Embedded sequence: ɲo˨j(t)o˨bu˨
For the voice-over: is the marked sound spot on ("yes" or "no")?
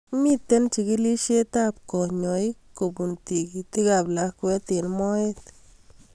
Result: no